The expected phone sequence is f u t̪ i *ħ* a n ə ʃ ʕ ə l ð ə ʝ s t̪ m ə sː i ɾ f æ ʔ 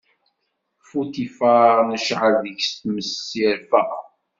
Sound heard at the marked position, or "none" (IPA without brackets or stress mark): f